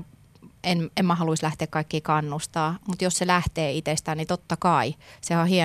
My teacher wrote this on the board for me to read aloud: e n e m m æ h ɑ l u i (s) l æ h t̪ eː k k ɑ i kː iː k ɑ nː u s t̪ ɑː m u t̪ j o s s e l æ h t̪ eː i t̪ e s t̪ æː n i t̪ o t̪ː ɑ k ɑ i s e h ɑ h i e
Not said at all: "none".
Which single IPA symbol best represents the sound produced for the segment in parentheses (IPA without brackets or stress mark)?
s